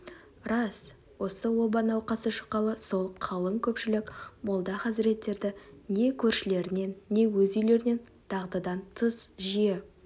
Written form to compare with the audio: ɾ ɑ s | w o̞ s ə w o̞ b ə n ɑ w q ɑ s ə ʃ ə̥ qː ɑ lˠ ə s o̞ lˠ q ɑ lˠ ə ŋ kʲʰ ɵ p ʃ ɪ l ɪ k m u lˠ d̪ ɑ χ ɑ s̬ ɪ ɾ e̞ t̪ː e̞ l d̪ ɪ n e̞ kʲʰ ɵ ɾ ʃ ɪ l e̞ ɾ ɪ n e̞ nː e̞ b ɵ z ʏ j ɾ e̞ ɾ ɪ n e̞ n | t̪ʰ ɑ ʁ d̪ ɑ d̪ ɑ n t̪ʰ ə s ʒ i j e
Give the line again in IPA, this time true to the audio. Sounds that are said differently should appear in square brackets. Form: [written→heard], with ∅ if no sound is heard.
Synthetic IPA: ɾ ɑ s | w o̞ s ə w o̞ b [ə→ɑ] n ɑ w q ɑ s ə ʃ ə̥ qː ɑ lˠ ə s o̞ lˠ [q→qʰ] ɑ lˠ ə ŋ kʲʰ ɵ p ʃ ɪ l ɪ k m [u→o] lˠ d̪ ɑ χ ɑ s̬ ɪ ɾ e̞ t̪ː e̞ [l→ɾ] d̪ ɪ n e̞ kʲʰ ɵ ɾ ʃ ɪ l e̞ ɾ ɪ n e̞ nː e̞ [b→w] ɵ z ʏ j [ɾ→l] e̞ ɾ ɪ n e̞ n | t̪ʰ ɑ ʁ d̪ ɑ d̪ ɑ n t̪ʰ ə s ʒ i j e